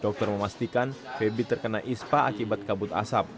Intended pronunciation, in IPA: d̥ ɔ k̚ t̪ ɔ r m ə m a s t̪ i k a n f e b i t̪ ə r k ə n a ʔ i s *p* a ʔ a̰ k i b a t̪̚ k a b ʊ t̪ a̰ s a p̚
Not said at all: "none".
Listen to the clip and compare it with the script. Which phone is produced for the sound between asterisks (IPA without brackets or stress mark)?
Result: p